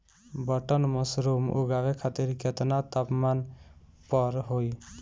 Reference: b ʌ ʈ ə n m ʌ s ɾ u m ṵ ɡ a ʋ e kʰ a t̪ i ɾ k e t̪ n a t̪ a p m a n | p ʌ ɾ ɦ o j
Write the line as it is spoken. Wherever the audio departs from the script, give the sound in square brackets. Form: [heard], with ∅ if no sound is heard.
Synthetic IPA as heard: b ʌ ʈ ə n m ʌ s ɾ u m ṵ ɡ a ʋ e kʰ a t̪ i ɾ k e t̪ n a t̪ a p m a n | p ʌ ɾ ɦ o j